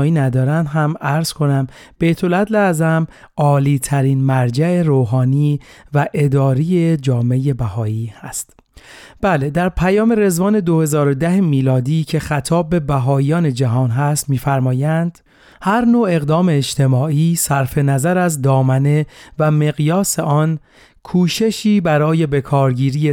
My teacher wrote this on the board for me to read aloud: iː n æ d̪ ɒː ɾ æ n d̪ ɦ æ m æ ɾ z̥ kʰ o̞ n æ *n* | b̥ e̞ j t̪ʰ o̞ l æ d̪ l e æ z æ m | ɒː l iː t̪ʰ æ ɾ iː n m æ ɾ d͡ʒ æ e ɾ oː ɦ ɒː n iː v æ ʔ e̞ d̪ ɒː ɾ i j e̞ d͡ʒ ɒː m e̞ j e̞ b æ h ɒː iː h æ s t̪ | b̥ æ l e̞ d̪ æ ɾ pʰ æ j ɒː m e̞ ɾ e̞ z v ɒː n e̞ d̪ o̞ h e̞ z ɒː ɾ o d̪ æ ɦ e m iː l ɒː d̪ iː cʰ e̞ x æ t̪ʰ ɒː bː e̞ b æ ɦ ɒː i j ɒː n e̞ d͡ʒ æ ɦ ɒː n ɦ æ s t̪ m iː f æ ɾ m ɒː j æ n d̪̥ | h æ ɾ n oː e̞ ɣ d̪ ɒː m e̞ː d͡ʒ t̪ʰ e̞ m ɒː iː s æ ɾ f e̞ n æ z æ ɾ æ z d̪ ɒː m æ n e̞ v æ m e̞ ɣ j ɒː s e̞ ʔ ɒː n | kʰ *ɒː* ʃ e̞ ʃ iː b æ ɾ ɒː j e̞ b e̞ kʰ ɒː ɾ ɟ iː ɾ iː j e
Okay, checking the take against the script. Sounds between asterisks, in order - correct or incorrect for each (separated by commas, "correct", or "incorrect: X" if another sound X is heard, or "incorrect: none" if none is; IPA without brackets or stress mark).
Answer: incorrect: m, incorrect: uː